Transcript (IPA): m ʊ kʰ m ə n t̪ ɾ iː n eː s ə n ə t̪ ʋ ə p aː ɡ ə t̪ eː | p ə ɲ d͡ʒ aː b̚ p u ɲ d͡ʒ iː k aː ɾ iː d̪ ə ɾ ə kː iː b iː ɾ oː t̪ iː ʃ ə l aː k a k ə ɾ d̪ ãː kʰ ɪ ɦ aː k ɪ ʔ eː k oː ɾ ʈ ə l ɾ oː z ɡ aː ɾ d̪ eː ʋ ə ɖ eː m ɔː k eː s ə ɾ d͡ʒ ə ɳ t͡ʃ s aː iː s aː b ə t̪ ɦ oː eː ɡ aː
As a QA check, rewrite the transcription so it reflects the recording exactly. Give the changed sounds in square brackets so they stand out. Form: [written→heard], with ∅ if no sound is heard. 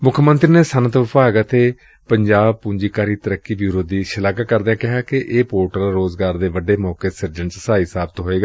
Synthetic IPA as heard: m ʊ kʰ m ə n t̪ ɾ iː n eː s ə n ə t̪ ʋ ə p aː ɡ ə t̪ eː | p ə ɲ d͡ʒ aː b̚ p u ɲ d͡ʒ iː k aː ɾ iː [d̪→t̪] ə ɾ ə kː iː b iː ɾ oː [t̪→d̪] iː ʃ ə l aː k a k ə ɾ d̪ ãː [kʰ→k] ɪ ɦ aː k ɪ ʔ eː [k→p] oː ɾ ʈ ə l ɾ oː z ɡ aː ɾ d̪ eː ʋ ə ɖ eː m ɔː k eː s ə ɾ d͡ʒ ə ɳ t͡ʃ s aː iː s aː b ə t̪ ɦ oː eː ɡ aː